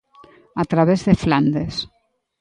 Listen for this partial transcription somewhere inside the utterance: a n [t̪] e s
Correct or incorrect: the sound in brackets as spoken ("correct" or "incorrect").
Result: incorrect